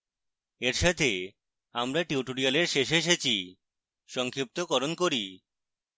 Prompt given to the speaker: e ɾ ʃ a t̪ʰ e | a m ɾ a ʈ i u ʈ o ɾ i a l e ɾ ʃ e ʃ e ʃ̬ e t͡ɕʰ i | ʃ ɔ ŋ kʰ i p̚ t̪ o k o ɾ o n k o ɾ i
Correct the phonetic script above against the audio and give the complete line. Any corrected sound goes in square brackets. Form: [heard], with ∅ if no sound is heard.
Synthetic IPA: e ɾ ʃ a t̪ʰ e | a m ɾ a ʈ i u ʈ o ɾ i a l e ɾ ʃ e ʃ e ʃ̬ e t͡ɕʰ i | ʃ ɔ ŋ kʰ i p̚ t̪ o k [ɔ] ɾ o n k o ɾ i